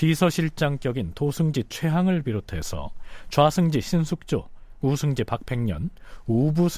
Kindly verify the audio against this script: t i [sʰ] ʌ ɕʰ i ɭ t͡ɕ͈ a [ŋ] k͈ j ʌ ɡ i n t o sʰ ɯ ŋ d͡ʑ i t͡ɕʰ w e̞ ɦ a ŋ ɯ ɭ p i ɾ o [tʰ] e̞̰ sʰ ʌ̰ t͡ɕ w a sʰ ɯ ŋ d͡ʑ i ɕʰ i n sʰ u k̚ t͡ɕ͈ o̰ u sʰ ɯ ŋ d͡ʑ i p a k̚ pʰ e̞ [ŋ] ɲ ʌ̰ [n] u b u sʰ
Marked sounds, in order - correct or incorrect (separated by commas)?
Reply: correct, correct, correct, correct, correct